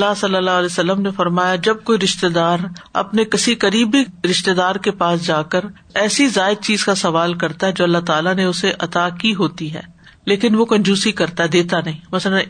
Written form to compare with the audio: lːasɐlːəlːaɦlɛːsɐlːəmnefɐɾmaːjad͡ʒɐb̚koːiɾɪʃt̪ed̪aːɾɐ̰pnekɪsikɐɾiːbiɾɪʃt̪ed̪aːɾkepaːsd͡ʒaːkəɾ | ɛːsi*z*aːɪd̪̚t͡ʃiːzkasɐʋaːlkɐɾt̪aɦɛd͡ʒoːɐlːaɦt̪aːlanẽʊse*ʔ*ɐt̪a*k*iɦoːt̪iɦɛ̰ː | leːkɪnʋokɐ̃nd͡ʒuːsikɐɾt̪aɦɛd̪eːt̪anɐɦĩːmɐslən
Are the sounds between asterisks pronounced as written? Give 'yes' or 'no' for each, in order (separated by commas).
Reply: yes, yes, yes